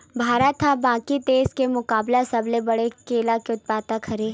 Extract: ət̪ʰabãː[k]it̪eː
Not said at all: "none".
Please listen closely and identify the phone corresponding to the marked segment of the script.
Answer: k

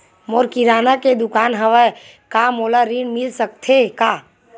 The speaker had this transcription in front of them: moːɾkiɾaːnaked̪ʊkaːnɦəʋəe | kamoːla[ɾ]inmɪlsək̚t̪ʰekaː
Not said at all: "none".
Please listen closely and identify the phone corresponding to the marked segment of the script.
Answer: ɾ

